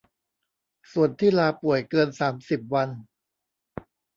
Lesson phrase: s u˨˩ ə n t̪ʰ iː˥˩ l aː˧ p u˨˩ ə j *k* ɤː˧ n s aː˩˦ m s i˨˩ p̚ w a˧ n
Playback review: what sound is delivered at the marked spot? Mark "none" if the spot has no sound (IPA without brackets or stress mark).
k